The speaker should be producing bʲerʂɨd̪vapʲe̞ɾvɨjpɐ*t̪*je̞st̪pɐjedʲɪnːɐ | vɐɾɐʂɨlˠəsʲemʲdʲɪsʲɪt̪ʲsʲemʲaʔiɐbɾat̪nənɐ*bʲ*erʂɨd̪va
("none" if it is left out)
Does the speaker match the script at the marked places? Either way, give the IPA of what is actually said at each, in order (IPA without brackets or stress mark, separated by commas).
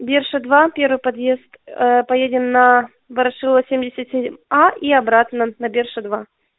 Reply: d̪, bʲ